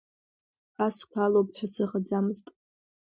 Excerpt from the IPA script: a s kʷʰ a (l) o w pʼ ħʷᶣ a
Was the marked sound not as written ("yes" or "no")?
no